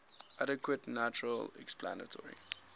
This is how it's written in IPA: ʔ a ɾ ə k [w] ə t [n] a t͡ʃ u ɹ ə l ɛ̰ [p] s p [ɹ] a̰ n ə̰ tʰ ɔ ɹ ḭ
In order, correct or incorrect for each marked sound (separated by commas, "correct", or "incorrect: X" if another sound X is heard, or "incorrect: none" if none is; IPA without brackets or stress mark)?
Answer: correct, correct, incorrect: k, incorrect: l